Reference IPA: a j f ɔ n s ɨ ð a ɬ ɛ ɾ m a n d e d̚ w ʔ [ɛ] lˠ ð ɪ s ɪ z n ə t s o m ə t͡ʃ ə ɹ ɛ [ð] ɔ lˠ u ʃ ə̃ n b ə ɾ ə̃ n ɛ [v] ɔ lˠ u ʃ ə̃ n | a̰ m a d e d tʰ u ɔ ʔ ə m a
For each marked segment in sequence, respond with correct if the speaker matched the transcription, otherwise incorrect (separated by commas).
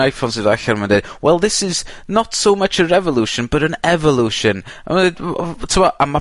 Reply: correct, incorrect, correct